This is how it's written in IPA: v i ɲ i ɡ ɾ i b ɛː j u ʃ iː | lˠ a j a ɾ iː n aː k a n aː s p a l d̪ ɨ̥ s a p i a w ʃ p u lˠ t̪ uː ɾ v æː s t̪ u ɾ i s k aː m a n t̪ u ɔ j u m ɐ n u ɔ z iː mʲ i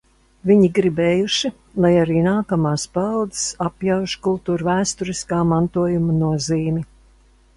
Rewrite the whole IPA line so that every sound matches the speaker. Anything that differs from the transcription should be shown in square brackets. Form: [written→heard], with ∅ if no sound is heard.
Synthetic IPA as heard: v i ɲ i ɡ ɾ i b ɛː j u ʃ [iː→i] | lˠ a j a ɾ iː n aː k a [n→m] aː s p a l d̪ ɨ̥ s a p [i→j] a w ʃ [p→k] u lˠ t̪ uː ɾ v æː s t̪ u ɾ i s k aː m a n t̪ u ɔ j u m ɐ n u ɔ z iː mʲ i